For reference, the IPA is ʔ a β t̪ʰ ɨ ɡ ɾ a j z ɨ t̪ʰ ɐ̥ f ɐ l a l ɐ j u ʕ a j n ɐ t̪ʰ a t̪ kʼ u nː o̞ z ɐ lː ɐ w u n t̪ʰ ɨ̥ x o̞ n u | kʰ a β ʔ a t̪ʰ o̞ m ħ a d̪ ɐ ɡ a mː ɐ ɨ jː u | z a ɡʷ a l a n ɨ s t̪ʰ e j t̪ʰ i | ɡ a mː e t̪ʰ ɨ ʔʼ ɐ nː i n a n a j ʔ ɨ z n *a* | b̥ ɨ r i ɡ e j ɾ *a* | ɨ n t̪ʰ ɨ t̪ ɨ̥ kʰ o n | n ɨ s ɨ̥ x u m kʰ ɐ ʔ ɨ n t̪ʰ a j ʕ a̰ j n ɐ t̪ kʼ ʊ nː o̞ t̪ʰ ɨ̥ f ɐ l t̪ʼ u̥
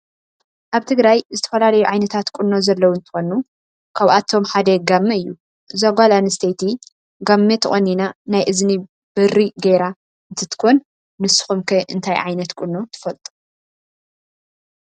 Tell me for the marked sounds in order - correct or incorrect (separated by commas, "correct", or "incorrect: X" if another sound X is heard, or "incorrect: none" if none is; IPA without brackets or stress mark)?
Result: incorrect: i, correct